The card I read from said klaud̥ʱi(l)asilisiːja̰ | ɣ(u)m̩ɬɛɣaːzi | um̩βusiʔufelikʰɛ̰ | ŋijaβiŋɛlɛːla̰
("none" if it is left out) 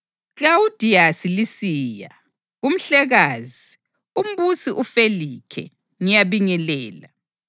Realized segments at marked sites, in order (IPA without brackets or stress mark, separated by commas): none, u